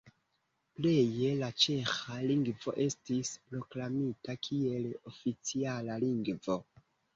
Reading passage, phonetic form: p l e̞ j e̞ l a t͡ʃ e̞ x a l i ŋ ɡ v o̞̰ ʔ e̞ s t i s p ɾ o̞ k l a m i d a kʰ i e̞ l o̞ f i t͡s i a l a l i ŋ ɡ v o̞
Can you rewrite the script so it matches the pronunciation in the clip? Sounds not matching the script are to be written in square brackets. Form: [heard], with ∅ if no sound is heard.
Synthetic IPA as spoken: p l e̞ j e̞ l a t͡ʃ e̞ x a l i ŋ ɡ v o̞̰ ʔ e̞ s t i s p ɾ o̞ k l a m i [t] a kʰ i e̞ l o̞ f i t͡s i a l a l i ŋ ɡ v o̞